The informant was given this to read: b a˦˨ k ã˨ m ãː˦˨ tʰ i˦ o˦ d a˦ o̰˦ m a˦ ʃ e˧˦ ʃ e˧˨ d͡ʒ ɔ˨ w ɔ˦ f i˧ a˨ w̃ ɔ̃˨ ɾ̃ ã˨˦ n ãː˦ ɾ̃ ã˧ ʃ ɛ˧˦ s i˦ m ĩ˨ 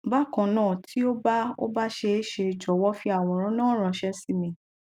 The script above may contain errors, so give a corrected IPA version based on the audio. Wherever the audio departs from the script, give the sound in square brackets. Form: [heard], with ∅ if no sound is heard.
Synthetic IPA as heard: b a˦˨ k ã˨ [n] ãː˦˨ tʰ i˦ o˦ [b] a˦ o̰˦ [b] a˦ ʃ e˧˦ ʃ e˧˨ d͡ʒ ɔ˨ w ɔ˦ f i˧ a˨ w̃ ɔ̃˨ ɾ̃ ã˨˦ n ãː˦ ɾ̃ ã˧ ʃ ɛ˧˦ s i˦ m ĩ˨